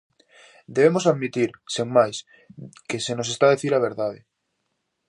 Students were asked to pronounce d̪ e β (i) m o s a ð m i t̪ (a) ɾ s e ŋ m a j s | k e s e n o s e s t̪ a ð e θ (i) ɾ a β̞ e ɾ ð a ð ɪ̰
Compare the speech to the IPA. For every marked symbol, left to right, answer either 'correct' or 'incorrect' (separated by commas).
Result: incorrect, incorrect, correct